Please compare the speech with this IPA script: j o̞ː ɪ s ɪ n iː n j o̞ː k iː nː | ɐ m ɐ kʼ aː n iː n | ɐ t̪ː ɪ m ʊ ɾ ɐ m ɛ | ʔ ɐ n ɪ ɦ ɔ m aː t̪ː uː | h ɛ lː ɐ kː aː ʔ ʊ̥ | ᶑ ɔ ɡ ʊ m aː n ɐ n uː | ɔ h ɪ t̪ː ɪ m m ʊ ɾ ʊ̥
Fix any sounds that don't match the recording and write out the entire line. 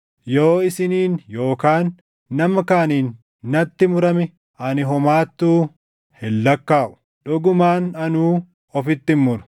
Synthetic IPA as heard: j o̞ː ɪ s ɪ n iː n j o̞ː k aː nː | ɐ m ɐ k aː n iː nː | ɐ t̪ː ɪ m ʊ ɾ ɐ m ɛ | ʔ ɐ n ɪ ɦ ɔ m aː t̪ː uː | h ɛ lː ɐ kː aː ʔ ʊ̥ | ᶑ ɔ ɡ ʊ m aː n ɐ n uː | ɔ f ɪ t̪ː ɪ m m ʊ ɾ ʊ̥